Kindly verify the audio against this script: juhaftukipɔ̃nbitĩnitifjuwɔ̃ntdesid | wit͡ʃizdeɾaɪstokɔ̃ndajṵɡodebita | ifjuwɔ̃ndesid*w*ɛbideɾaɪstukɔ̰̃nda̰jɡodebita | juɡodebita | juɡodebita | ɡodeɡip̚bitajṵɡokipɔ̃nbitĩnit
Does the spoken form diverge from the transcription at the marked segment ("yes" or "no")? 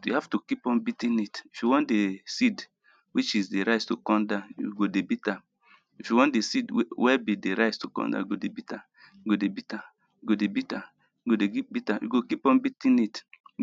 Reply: no